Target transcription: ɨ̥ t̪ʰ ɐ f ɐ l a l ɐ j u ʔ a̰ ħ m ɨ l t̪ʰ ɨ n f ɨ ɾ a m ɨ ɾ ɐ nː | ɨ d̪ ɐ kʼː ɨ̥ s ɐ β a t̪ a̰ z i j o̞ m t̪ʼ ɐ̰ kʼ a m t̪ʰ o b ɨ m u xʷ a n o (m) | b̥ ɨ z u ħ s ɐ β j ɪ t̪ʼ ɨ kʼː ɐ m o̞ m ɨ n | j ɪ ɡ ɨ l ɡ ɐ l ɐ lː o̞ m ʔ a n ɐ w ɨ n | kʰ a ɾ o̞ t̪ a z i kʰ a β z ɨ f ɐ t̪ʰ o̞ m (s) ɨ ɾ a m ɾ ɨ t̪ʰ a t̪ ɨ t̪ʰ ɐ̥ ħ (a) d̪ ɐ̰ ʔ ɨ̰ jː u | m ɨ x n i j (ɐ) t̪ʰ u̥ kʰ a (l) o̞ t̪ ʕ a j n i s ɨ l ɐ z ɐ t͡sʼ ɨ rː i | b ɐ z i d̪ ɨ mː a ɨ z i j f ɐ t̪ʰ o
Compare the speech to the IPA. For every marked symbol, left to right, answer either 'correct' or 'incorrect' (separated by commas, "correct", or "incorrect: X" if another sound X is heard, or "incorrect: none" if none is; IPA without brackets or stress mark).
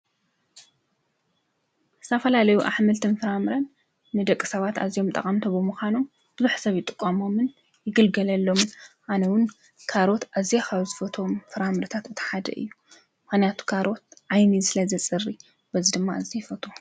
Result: correct, incorrect: f, correct, incorrect: a, incorrect: ɾ